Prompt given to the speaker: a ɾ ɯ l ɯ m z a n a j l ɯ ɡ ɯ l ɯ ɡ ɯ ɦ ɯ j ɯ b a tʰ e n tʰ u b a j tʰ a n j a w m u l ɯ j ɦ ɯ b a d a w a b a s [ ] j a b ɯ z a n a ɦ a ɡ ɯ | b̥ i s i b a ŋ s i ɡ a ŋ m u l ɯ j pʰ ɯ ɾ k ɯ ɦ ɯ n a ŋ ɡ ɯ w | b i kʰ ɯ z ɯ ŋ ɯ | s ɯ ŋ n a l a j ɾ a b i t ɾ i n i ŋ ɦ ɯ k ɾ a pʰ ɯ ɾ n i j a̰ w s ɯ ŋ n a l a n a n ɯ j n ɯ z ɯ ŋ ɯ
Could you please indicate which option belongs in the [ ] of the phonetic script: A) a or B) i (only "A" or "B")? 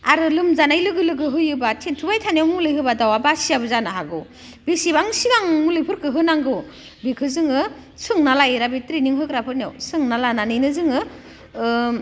B